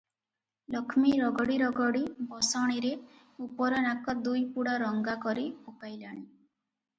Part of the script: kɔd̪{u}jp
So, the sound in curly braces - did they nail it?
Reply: yes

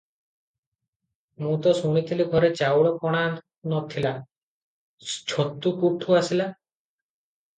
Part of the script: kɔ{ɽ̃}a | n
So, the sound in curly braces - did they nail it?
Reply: yes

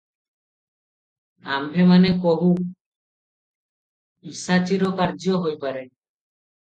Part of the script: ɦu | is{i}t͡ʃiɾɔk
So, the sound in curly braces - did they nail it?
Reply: no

